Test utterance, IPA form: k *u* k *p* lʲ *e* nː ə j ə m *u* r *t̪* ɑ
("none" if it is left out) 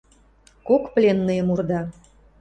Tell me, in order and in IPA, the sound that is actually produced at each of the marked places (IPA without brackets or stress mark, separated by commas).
o, p, e, u, d̪